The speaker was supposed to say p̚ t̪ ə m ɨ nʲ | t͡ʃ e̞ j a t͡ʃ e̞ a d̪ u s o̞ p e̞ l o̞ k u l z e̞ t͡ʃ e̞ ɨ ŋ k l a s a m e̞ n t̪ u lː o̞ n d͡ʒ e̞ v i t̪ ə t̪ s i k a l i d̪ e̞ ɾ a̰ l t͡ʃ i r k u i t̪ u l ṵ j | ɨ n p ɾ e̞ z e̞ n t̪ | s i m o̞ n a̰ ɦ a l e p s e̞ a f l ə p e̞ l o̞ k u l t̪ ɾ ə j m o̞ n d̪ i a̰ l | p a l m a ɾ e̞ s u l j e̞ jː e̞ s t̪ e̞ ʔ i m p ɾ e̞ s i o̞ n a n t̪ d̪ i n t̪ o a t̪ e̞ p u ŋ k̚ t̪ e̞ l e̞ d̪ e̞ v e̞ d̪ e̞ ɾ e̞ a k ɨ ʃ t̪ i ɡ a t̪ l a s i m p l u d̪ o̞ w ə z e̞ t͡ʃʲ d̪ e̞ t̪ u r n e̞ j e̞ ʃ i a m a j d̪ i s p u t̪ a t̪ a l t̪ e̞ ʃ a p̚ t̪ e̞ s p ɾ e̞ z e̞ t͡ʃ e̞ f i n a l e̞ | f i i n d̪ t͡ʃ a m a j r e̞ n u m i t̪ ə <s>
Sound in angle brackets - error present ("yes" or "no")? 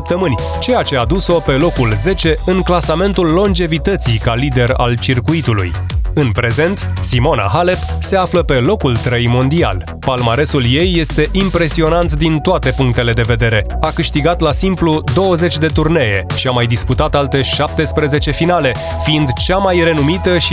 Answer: yes